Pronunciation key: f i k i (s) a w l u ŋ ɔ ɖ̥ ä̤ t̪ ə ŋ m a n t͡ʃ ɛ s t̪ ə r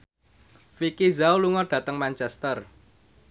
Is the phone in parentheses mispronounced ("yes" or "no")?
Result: yes